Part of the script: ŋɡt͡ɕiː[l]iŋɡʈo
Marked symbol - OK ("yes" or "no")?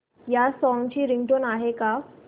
no